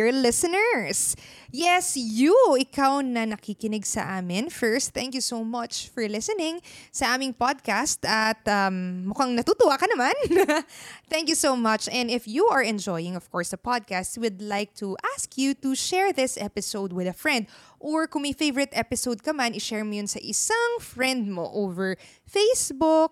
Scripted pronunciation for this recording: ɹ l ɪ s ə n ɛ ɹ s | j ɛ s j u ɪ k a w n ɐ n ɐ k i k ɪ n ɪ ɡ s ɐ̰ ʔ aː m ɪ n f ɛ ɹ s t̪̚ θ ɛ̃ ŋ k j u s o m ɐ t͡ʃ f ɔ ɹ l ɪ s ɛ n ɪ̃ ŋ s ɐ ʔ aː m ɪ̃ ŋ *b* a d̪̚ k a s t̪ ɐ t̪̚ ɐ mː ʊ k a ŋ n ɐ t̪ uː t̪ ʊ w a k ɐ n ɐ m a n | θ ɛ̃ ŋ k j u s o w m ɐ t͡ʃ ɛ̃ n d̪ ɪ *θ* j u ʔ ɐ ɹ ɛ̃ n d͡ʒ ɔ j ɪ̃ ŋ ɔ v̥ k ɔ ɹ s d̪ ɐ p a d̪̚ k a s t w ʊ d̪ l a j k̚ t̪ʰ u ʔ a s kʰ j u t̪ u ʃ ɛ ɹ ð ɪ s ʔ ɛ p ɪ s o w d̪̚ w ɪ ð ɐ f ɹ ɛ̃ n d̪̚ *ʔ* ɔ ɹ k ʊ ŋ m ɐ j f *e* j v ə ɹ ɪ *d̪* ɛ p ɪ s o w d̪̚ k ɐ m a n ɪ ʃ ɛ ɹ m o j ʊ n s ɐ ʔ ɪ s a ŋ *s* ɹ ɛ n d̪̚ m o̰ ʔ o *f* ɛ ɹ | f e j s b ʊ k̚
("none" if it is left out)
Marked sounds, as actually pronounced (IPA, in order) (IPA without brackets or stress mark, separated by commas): p, f, ʔ, e, t̪, f, v